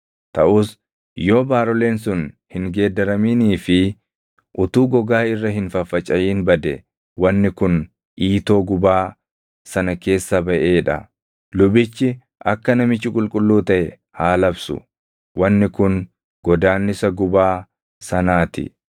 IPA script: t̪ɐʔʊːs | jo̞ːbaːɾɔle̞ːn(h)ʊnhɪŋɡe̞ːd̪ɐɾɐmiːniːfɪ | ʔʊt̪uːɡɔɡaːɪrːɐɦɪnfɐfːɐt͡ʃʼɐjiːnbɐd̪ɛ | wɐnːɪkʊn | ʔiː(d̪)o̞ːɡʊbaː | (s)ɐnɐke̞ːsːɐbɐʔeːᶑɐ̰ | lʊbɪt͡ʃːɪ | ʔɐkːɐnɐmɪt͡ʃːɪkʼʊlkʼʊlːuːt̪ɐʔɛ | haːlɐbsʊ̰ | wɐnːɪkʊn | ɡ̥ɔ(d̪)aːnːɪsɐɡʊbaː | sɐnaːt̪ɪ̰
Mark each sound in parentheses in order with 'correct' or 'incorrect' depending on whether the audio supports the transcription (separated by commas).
incorrect, incorrect, correct, correct